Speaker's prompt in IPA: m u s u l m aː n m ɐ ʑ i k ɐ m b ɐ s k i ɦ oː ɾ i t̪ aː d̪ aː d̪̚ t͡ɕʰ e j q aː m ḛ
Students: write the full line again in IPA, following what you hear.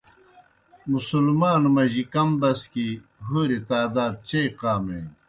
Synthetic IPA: m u s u l m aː n m ɐ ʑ i k ɐ m b ɐ s k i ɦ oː ɾ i t̪ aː d̪ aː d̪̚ t͡ɕ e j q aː m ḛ